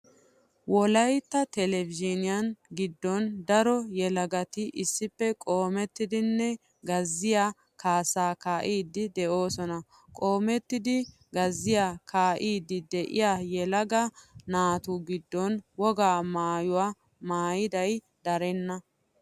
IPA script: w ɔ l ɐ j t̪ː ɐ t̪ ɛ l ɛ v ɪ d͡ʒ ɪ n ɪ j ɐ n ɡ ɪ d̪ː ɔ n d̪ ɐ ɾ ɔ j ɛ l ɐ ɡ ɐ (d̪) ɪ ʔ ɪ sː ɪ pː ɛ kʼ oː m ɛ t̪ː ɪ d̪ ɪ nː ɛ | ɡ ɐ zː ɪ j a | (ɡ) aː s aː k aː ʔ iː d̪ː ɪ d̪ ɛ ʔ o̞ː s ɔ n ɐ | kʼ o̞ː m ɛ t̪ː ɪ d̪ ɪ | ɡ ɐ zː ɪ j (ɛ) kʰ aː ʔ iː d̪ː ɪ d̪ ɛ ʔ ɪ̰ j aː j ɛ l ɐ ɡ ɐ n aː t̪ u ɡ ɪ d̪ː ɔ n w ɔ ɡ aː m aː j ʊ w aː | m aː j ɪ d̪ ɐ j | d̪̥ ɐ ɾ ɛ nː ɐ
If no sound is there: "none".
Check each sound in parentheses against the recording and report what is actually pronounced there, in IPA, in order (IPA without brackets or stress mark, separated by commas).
t̪, k, a